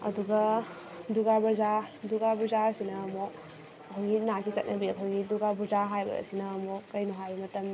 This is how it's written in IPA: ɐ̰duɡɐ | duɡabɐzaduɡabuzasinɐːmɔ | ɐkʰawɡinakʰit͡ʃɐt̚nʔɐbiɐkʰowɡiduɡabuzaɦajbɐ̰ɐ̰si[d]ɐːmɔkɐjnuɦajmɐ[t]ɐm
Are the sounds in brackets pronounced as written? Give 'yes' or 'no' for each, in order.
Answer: no, yes

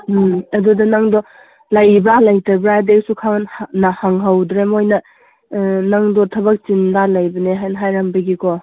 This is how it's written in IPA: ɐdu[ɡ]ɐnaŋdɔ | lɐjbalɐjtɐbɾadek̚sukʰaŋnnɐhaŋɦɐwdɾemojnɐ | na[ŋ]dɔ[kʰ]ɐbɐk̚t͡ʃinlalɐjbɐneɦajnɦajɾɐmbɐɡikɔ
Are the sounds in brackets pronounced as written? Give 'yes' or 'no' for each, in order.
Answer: no, yes, no

